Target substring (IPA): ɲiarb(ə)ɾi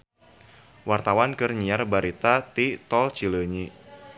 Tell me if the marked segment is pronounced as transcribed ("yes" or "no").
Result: no